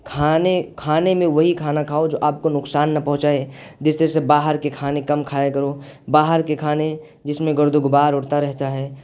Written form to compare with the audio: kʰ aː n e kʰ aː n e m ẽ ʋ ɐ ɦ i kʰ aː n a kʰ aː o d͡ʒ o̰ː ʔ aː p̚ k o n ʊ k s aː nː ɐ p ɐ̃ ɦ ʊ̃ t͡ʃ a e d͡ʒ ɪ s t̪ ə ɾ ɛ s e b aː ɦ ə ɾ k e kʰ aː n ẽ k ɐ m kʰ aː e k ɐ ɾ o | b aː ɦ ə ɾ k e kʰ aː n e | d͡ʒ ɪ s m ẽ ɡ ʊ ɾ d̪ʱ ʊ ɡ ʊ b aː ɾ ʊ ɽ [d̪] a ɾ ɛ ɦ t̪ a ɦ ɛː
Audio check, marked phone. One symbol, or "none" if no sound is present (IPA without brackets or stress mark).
t̪